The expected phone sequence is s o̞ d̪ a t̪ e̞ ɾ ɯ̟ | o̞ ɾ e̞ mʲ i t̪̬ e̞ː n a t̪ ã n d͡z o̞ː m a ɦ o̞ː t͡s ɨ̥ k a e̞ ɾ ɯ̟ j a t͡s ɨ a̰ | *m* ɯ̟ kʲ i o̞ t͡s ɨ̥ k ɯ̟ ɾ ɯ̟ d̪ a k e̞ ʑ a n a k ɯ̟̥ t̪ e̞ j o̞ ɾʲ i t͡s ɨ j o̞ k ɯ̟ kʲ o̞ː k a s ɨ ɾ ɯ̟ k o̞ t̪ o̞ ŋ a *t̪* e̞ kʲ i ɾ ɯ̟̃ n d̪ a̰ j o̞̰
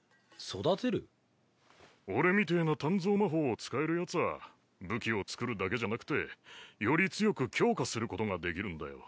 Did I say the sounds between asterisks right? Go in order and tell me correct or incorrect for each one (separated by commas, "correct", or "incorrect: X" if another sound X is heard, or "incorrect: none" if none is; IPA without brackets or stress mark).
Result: incorrect: b, incorrect: d̪